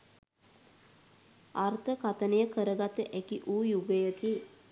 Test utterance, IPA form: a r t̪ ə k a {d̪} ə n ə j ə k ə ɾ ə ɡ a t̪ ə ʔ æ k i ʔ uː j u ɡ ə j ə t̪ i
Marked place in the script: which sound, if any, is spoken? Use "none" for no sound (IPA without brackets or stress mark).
t̪